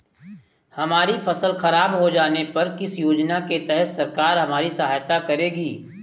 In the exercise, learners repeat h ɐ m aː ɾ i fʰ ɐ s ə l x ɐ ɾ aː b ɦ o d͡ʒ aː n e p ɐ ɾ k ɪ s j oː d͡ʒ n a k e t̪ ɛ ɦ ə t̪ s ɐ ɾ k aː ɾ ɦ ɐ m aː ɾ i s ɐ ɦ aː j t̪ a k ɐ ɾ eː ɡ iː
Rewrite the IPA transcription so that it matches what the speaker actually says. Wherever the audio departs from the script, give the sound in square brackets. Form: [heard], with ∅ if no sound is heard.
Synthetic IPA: h ɐ m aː ɾ i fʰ ɐ s ə l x ɐ ɾ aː b ɦ o d͡ʒ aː n e p ɐ ɾ k ɪ s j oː d͡ʒ n a k e t̪ ɛ ɦ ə t̪ s ɐ ɾ k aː ɾ ɦ ɐ m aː ɾ i s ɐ ɦ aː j t̪ a k ɐ ɾ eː ɡ iː